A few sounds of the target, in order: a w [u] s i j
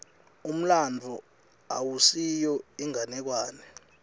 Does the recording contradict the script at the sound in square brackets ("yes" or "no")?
no